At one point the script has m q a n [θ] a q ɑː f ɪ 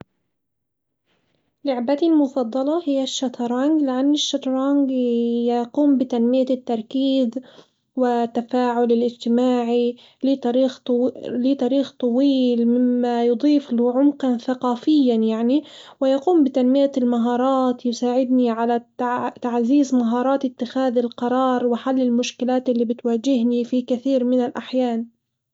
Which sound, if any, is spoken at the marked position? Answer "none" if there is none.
θ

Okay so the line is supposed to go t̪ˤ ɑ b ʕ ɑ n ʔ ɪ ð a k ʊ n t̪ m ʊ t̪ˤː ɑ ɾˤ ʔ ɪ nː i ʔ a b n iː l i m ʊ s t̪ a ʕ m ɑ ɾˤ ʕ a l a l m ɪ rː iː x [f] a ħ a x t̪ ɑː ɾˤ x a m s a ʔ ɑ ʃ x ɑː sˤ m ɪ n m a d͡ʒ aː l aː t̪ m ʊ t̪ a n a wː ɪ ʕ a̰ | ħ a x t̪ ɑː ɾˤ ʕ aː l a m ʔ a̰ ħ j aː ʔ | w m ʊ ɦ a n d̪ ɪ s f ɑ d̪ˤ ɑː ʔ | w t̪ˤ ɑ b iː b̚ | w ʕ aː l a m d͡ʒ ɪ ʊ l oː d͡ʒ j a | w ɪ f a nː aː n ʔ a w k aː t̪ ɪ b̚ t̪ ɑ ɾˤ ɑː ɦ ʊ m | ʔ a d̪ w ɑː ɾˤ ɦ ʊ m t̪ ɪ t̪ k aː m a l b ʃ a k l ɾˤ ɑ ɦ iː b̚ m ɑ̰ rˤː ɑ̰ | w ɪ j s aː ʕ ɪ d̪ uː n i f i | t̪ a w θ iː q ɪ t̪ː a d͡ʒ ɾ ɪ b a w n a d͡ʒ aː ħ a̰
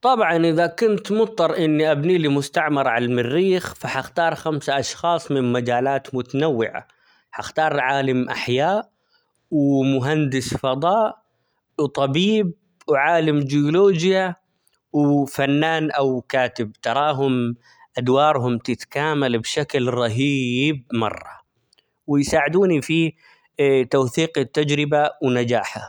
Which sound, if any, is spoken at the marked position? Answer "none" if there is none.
f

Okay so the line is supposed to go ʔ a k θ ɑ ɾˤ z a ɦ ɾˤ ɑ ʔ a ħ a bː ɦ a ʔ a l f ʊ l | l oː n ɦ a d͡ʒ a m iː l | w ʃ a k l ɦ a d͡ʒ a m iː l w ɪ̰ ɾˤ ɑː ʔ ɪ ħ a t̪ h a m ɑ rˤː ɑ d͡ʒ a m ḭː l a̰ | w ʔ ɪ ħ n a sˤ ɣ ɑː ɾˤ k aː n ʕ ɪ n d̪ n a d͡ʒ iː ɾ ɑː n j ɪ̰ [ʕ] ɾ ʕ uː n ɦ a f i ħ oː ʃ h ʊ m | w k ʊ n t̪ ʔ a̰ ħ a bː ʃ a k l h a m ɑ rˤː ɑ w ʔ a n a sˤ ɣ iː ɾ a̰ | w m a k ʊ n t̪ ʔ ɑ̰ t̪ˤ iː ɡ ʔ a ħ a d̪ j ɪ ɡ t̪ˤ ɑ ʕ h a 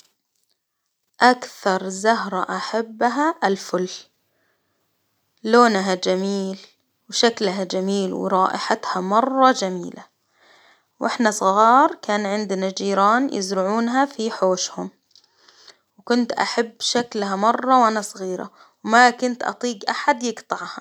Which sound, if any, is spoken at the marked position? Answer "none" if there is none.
z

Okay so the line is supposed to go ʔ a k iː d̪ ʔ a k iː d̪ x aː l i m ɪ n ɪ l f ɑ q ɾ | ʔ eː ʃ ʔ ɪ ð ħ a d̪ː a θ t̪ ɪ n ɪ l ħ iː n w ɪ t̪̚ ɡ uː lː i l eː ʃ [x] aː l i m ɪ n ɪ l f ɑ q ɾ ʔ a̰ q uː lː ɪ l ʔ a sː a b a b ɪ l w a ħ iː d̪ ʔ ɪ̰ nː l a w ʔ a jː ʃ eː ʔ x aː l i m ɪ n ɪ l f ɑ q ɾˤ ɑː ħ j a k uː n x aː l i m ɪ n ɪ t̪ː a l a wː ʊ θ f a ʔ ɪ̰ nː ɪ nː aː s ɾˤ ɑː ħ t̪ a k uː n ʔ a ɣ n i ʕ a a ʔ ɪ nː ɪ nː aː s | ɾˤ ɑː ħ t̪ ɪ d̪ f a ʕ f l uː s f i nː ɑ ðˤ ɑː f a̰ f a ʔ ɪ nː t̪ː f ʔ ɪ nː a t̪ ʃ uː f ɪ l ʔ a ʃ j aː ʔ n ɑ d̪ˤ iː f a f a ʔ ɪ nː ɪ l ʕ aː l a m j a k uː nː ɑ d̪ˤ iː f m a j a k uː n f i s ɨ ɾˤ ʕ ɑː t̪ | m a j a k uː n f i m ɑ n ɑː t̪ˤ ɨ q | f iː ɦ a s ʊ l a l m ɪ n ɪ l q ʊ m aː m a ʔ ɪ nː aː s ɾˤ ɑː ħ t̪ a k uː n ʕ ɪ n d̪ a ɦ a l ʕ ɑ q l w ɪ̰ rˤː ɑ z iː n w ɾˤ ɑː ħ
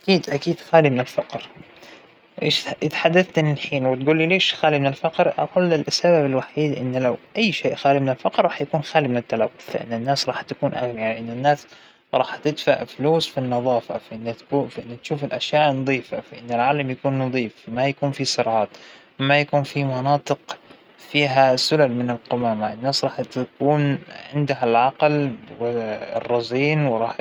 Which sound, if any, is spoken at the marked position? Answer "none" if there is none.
x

